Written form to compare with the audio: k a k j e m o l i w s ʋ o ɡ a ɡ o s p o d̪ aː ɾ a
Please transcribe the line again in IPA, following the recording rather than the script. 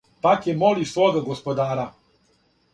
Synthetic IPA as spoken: p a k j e m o l i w s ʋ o ɡ a ɡ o s p o d̪ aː ɾ a

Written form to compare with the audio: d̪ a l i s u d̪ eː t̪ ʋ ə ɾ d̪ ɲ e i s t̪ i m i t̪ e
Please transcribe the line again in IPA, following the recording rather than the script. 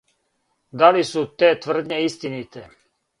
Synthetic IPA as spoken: d̪ a l i s u t̪ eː t̪ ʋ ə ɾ d̪ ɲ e i s t̪ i n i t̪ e

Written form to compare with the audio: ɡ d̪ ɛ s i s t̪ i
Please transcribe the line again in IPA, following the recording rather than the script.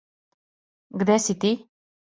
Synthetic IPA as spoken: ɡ d̪ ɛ s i t̪ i

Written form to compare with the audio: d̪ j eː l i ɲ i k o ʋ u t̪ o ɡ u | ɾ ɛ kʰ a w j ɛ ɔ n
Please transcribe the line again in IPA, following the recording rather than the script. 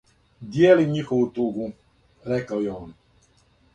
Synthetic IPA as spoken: d̪ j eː l i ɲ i x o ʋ u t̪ u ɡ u | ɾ ɛ k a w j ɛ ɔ n

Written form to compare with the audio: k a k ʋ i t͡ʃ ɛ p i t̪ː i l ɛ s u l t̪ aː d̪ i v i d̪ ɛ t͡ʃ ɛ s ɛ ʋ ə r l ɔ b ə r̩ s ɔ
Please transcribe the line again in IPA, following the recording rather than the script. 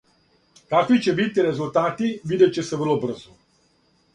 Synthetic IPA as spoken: k a k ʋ i t͡ʃ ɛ b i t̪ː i ɾ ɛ z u l t̪ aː t̪ i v i d̪ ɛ t͡ʃ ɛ s ɛ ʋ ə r l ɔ b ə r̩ z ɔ

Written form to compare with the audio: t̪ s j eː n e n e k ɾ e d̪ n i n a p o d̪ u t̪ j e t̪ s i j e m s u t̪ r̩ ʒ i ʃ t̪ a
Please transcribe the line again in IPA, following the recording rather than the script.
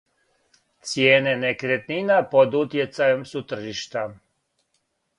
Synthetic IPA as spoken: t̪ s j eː n e n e k ɾ e t̪ n i n a p o d̪ u t̪ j e t̪ s a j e m s u t̪ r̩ ʒ i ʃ t̪ a

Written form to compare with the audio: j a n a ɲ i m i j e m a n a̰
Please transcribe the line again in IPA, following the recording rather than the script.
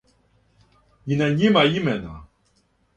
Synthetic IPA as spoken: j i n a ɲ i m a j i m ɛ n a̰

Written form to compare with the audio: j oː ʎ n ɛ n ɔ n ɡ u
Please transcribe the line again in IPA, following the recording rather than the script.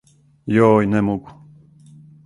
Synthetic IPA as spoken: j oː j n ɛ m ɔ ɡ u

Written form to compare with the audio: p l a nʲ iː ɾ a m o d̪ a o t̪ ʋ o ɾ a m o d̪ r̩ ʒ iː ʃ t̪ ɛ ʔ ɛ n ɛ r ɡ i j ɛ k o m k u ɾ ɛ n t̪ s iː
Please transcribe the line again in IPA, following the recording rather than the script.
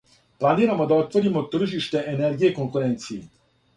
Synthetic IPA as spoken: p l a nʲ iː ɾ a m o d̪ a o t̪ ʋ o ɾ i m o t̪ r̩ ʒ i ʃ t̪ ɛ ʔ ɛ n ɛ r ɡ i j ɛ k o ŋ k u ɾ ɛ n t̪ s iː

